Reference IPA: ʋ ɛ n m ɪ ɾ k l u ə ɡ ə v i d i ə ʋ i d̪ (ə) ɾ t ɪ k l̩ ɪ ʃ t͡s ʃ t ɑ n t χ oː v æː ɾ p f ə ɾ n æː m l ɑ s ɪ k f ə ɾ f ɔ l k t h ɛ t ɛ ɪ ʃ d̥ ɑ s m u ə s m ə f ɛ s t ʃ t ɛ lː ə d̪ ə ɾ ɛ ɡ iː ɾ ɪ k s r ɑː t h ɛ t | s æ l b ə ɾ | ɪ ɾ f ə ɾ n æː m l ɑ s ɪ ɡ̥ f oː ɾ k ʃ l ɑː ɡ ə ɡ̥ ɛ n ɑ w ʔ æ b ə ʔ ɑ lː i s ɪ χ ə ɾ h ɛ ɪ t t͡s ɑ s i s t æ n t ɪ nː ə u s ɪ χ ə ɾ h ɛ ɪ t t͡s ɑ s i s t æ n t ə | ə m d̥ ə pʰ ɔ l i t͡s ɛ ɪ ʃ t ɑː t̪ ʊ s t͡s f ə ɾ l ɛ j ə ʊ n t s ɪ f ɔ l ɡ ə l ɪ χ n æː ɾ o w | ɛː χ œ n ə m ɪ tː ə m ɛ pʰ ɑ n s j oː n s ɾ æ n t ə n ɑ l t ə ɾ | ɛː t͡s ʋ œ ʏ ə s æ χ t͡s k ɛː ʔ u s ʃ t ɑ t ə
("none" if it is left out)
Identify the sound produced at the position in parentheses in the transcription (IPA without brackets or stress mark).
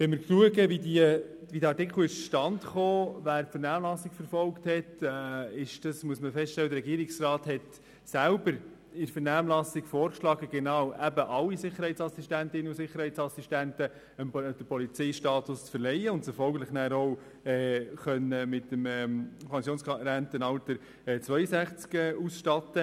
ɑ